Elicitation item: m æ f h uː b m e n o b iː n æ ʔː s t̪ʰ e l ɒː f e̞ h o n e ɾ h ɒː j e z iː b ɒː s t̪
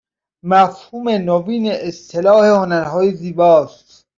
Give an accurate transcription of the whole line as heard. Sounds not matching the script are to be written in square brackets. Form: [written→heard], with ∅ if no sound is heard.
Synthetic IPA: m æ f h uː [b→∅] m e n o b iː n [æ→e] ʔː s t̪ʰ e l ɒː [f→h] e̞ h o n [e→æ] ɾ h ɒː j e z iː b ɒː s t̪

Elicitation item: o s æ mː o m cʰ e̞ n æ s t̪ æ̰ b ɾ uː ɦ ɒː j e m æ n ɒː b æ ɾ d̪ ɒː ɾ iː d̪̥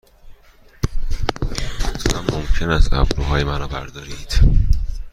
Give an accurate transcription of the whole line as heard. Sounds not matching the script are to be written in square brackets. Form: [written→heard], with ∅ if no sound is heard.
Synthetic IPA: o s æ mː o m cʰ e̞ n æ s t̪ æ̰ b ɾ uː ɦ ɒː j e m æ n ɒː b æ ɾ d̪ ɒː ɾ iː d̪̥

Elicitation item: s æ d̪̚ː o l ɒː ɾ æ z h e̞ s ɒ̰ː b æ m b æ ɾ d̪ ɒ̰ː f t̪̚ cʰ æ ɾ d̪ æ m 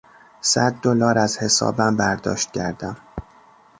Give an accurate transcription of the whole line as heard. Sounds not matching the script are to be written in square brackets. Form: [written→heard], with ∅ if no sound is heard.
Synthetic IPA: s æ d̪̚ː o l ɒː ɾ æ z h e̞ s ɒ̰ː b æ m b æ ɾ d̪ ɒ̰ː [f→ʃ] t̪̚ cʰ æ ɾ d̪ æ m

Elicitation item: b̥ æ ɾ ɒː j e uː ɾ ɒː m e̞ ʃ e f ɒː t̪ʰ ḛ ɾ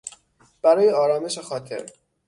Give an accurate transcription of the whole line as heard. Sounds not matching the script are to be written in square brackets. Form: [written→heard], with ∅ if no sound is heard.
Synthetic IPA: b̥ æ ɾ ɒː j e [uː→ɒː] ɾ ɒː m e̞ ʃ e [f→x] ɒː t̪ʰ ḛ ɾ

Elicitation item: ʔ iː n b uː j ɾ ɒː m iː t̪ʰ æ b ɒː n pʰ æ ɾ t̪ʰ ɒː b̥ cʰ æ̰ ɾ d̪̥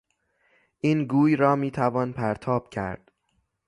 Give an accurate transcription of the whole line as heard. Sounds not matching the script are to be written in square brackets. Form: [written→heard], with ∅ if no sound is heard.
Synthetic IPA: ʔ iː n [b→ɡ] uː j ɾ ɒː m iː t̪ʰ æ [b→v] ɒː n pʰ æ ɾ t̪ʰ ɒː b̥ cʰ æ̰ ɾ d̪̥

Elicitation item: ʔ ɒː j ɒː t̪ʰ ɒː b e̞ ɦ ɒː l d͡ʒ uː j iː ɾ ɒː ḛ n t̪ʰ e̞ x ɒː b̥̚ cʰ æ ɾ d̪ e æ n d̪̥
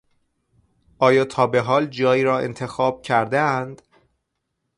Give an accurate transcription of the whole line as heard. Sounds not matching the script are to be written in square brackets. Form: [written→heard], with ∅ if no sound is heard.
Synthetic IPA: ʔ ɒː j ɒː t̪ʰ ɒː b e̞ ɦ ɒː l d͡ʒ [uː→ɒː] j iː ɾ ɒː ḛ n t̪ʰ e̞ x ɒː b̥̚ cʰ æ ɾ d̪ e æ n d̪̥

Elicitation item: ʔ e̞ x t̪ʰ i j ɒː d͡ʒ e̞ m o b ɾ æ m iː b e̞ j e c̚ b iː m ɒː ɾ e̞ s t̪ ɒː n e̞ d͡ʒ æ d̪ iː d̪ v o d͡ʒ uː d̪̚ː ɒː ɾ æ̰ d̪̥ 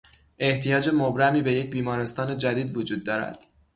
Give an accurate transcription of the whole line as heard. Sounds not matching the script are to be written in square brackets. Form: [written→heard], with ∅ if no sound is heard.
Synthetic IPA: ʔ e̞ [x→h] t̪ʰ i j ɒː d͡ʒ e̞ m o b ɾ æ m iː b e̞ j e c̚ b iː m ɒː ɾ e̞ s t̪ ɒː n e̞ d͡ʒ æ d̪ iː d̪ v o d͡ʒ uː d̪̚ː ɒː ɾ æ̰ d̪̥

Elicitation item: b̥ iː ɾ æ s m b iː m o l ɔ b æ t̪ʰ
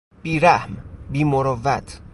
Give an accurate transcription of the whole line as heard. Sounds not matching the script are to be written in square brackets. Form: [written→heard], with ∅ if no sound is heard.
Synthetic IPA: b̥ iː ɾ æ [s→h] m b iː m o [l→ɾ] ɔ [b→v] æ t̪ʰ

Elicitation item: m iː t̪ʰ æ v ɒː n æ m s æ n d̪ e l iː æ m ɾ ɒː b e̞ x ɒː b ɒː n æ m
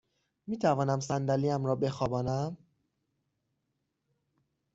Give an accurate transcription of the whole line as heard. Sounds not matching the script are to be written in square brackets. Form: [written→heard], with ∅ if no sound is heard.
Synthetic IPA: m iː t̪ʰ æ v ɒː n æ m s æ n d̪ [e→æ] l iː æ m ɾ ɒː b e̞ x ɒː b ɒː n æ m

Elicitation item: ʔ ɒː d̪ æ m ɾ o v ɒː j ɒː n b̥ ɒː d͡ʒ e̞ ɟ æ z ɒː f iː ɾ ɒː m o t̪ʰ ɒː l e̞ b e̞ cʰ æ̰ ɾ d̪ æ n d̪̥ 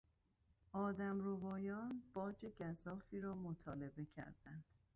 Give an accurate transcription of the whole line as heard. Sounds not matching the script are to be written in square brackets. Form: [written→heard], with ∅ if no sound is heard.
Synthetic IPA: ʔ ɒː d̪ æ m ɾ o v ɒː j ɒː n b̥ ɒː d͡ʒ e̞ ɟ æ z ɒː f iː ɾ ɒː m o t̪ʰ ɒː l e̞ b e̞ cʰ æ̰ ɾ d̪ æ n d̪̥

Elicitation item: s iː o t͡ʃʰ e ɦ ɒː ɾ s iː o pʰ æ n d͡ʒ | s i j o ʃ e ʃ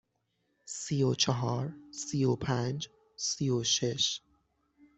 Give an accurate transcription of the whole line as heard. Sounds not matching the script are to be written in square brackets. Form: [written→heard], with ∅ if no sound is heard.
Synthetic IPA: s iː o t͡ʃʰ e ɦ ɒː ɾ s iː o pʰ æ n d͡ʒ | s i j o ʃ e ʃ

